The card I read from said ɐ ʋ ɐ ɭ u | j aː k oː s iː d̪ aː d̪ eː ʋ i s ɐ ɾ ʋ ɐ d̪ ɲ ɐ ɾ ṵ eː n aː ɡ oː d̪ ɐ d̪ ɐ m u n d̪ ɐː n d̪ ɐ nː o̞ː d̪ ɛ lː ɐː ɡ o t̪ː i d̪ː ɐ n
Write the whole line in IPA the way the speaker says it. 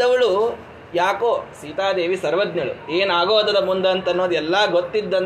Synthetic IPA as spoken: ɐ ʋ ɐ ɭ u | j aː k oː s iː t̪ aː d̪ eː ʋ i s ɐ ɾ ʋ ɐ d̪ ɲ ɐ ɭ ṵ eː n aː ɡ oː d̪ ɐ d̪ ɐ m u n d̪ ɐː n t̪ ɐ nː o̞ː d̪ ɛ lː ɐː ɡ o t̪ː i d̪ː ɐ n